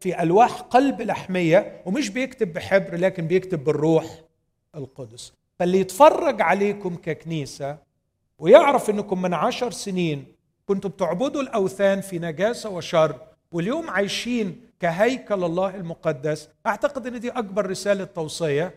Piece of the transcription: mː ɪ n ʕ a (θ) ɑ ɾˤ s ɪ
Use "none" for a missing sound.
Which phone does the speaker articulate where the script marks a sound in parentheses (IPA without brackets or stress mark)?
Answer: ʃ